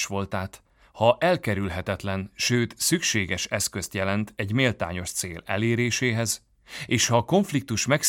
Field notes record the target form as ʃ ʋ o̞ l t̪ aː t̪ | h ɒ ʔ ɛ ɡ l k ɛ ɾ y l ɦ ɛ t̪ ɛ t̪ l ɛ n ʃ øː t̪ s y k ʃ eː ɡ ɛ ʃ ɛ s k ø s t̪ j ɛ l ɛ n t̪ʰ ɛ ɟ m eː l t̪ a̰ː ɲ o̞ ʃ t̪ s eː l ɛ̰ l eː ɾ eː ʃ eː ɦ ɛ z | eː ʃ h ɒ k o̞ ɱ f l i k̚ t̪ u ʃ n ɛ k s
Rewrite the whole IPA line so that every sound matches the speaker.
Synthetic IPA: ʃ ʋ o̞ l t̪ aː t̪ | h ɒ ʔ ɛ l k ɛ ɾ y l ɦ ɛ t̪ ɛ t̪ l ɛ n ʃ øː t̪ s y k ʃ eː ɡ ɛ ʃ ɛ s k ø s t̪ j ɛ l ɛ n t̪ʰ ɛ ɟ m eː l t̪ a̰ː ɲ o̞ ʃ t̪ s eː l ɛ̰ l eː ɾ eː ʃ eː ɦ ɛ z | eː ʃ h ɒ k o̞ ɱ f l i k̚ t̪ u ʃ m ɛ k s